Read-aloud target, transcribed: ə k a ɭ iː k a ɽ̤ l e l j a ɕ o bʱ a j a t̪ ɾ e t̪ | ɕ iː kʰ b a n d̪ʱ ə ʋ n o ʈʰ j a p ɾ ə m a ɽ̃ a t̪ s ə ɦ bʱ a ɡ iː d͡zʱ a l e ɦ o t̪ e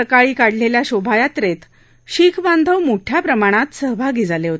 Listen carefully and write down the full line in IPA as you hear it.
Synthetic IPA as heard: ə k a ɭ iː k a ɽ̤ l e l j a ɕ o bʱ a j a t̪ ɾ e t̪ | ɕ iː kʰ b a n d̪ʱ ə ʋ m o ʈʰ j a p ɾ ə m a ɽ̃ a t̪ s ə ɦ bʱ a ɡ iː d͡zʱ a l e ɦ o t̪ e